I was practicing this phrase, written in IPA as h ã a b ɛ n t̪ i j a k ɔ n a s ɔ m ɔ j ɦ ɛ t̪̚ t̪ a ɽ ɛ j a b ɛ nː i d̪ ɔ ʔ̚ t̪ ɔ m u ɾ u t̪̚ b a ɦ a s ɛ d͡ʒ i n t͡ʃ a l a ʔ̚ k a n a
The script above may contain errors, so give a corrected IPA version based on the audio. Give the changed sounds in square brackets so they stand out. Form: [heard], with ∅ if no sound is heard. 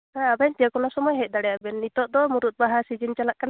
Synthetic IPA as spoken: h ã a b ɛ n t̪ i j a k ɔ n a s ɔ m ɔ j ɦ ɛ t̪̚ [d̪] a ɽ ɛ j a b ɛ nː i [t̪] ɔ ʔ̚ [d̪] ɔ m u ɾ u t̪̚ b a ɦ a s [i] d͡ʒ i n t͡ʃ a l a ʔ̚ k a n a